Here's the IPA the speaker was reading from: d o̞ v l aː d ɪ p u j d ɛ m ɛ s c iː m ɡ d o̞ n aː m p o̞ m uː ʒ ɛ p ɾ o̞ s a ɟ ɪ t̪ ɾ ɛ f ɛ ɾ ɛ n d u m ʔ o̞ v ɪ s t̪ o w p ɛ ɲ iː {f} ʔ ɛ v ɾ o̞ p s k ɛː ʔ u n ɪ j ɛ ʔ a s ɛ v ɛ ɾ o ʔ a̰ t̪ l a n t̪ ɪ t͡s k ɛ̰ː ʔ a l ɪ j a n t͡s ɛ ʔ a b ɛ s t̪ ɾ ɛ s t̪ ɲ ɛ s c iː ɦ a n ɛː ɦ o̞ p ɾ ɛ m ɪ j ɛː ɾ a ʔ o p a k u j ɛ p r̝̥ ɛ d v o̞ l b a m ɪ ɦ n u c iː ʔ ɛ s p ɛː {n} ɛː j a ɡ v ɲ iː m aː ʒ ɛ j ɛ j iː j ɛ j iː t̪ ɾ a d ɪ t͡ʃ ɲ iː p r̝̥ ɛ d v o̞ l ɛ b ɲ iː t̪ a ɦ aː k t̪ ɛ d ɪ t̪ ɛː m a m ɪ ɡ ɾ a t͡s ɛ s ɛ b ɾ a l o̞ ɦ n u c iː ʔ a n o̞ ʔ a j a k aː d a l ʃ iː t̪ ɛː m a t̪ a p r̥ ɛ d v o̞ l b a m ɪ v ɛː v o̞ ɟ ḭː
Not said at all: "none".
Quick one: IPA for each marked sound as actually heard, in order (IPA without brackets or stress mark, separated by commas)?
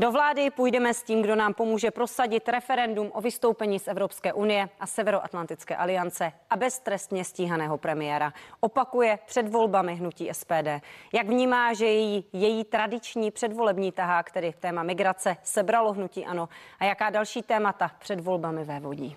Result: s, d